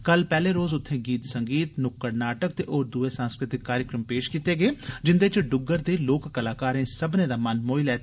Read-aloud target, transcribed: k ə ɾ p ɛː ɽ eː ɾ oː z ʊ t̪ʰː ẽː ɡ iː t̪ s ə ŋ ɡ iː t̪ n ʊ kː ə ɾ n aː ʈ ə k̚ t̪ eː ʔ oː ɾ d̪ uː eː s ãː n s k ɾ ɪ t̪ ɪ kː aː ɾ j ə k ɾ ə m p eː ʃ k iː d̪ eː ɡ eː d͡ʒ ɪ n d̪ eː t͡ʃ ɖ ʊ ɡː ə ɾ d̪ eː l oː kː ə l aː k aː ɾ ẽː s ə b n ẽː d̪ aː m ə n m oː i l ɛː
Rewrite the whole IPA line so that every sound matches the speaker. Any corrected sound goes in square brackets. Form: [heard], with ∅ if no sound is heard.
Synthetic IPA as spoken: k ə [l] p ɛː [l] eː ɾ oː z ʊ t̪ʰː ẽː ɡ iː t̪ s ə ŋ ɡ iː t̪ n ʊ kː ə ɾ n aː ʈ ə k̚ t̪ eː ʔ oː ɾ d̪ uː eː s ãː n s k ɾ ɪ t̪ ɪ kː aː ɾ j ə k ɾ ə m p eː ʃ k iː [t̪] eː ɡ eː d͡ʒ ɪ n d̪ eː t͡ʃ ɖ ʊ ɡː ə ɾ d̪ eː l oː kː ə l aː k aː ɾ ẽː s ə b n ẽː d̪ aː m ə n m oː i l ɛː